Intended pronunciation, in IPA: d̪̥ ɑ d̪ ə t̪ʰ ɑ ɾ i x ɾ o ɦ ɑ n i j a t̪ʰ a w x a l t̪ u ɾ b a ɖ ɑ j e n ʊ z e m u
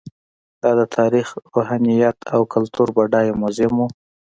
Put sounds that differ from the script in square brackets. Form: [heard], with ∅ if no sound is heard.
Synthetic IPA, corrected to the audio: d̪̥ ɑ d̪ ə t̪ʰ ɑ ɾ i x ɾ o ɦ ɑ n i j a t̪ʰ a w [k] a l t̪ u ɾ b a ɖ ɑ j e [m] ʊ z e m u